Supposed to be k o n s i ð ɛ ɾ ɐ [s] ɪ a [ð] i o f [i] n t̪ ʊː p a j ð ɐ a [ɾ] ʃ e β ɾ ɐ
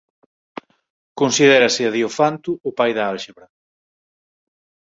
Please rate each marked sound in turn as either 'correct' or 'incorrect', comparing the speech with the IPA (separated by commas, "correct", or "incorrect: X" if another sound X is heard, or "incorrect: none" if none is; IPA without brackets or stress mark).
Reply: correct, correct, incorrect: a, incorrect: l